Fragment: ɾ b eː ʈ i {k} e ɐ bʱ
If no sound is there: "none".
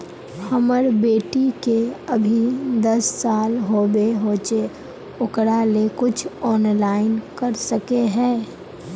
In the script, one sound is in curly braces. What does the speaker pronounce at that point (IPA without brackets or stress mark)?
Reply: k